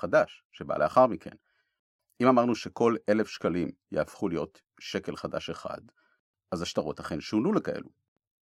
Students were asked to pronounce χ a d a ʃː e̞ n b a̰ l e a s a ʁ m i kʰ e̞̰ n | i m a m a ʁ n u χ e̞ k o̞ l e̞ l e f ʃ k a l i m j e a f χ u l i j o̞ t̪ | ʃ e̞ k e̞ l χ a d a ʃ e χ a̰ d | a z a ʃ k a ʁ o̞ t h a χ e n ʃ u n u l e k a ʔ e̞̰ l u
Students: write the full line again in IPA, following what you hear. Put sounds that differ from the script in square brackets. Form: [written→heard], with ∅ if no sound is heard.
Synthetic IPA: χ a d a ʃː e̞ [n→∅] b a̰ l e a [s→χ] a ʁ m i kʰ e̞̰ n | i m a m a ʁ n u [χ→ʃ] e̞ k o̞ l e̞ l e f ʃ k a l i m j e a f χ u l i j o̞ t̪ | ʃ e̞ k e̞ l χ a d a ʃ e χ a̰ d | a z a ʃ [k→t] a ʁ o̞ t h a χ e n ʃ u n u l e k a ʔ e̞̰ l u